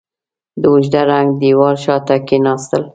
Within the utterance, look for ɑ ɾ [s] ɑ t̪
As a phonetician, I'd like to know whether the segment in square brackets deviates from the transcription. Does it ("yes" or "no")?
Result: yes